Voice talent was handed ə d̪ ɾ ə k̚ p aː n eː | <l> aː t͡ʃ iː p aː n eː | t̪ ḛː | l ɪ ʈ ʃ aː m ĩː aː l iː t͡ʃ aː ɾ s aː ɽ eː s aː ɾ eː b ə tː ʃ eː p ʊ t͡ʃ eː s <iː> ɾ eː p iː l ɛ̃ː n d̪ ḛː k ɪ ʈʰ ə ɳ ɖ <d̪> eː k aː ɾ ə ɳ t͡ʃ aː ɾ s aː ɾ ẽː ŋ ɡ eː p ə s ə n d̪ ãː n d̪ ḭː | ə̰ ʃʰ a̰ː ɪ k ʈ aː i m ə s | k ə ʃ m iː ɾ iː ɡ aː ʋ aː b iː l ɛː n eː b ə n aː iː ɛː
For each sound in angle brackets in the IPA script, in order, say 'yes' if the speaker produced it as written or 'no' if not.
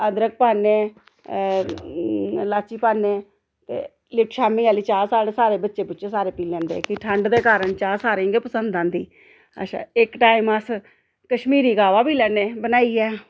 yes, no, yes

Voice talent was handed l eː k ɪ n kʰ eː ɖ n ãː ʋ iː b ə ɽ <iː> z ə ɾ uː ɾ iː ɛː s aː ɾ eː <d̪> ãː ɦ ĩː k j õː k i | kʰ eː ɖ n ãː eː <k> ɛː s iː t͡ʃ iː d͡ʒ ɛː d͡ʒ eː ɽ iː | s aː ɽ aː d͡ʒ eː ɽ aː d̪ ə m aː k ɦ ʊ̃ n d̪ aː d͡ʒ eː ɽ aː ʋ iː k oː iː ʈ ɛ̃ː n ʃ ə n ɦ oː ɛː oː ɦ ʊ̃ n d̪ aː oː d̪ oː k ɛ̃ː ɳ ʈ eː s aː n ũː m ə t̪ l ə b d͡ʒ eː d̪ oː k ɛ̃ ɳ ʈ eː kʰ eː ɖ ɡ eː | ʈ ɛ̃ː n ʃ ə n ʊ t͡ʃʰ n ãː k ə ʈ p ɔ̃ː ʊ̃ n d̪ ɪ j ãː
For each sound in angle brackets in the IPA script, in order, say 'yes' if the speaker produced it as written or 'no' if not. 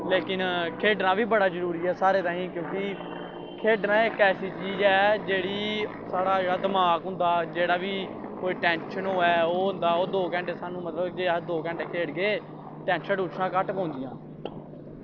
no, no, yes

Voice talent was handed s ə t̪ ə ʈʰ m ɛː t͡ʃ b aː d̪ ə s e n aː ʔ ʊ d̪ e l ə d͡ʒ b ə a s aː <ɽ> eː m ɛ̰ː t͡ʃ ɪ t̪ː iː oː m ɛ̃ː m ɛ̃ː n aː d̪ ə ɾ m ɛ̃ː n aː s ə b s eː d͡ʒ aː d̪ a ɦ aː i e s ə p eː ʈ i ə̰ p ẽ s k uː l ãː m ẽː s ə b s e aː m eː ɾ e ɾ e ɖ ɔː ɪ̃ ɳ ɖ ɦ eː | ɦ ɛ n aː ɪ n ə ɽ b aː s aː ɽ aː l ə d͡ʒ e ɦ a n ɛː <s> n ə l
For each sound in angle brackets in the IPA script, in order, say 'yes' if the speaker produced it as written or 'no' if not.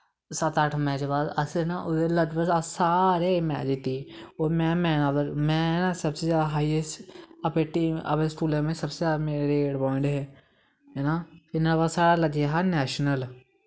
no, no

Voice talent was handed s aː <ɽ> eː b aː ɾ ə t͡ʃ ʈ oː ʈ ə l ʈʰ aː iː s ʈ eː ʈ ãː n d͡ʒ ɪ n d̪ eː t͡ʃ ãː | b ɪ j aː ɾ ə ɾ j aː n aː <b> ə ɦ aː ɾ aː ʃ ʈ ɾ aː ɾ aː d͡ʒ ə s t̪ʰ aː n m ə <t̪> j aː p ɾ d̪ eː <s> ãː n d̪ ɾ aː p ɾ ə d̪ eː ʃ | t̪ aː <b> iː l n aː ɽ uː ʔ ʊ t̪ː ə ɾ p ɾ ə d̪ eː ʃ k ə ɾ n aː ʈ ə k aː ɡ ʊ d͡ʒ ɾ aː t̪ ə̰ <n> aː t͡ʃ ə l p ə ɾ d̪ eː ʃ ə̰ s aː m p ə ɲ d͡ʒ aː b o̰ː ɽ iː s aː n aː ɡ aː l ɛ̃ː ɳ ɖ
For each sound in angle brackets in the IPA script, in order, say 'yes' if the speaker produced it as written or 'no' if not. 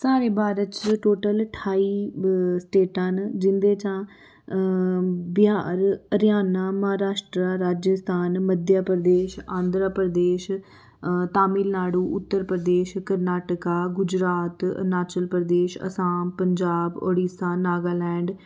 no, no, no, no, no, yes

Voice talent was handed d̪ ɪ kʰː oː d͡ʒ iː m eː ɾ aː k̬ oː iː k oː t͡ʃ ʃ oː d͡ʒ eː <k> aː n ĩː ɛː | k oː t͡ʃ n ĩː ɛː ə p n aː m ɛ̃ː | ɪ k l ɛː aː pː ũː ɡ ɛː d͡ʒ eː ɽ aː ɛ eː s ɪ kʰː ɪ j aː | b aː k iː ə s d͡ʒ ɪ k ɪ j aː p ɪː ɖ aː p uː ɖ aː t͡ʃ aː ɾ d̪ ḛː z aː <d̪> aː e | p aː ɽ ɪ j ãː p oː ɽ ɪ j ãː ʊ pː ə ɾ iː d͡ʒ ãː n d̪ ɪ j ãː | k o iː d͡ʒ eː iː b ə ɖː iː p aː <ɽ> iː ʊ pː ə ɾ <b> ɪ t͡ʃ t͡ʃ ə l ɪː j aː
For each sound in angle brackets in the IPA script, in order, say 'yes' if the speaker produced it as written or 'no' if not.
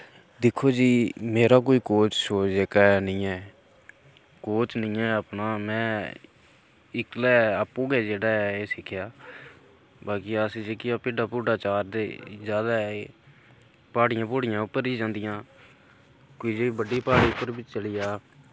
yes, yes, yes, yes

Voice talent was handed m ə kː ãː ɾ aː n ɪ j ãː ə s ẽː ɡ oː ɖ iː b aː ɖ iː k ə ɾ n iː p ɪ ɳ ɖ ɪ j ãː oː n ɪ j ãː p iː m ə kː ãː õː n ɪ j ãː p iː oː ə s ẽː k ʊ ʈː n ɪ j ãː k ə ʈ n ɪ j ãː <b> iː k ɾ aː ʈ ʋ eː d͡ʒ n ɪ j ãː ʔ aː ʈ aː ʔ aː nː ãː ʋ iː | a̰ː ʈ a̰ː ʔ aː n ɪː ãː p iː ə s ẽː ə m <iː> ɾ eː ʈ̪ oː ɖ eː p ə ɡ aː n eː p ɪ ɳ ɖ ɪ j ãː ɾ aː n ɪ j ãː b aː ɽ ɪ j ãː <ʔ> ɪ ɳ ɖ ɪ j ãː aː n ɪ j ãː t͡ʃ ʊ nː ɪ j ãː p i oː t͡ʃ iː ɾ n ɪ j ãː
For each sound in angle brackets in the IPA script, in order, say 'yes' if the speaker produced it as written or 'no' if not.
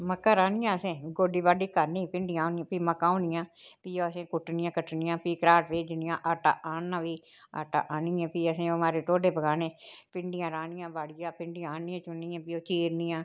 no, no, no

